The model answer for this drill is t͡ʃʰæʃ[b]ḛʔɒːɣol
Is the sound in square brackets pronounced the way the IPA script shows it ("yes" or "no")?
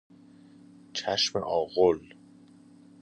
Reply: no